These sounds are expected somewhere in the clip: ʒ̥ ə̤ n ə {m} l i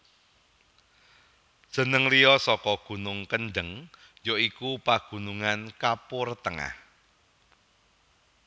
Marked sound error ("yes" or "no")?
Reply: yes